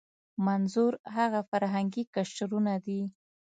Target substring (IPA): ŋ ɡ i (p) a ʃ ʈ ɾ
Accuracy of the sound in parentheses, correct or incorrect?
incorrect